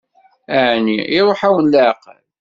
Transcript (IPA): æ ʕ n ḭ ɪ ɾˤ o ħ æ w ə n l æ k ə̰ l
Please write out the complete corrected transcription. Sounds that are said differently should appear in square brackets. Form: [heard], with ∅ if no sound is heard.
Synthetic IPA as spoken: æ ʕ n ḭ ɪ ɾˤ o ħ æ w ə n l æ [q] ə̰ l

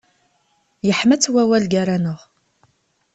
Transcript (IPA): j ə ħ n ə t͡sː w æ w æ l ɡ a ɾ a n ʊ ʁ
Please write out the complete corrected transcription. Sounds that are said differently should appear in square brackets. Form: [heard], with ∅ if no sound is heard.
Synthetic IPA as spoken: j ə ħ [m] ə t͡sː w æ w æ l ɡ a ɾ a n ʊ ʁ

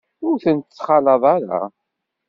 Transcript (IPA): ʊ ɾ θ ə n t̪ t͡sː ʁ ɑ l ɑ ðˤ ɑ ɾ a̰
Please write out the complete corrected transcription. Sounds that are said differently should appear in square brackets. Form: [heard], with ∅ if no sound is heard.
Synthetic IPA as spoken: ʊ ɾ θ ə n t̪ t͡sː [χ] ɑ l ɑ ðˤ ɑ ɾ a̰

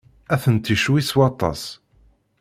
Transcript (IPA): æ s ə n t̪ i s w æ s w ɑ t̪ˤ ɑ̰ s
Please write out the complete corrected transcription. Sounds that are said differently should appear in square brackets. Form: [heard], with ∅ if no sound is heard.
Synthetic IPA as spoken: æ [θ] ə n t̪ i [ʃ] w [i] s w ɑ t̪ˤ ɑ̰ s

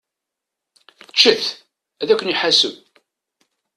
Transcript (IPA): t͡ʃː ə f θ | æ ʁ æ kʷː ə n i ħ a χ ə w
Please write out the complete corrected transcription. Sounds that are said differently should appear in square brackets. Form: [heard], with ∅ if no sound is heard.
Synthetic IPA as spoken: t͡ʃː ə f θ | æ [ð] æ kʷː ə n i ħ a [s] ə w

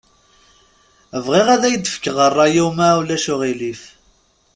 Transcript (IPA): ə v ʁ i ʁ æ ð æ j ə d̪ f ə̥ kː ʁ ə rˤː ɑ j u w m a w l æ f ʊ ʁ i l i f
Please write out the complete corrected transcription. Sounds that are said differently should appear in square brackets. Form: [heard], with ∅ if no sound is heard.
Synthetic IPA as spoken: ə v ʁ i ʁ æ ð æ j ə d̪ f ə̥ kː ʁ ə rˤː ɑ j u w m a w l æ [ʃ] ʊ ʁ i l i f

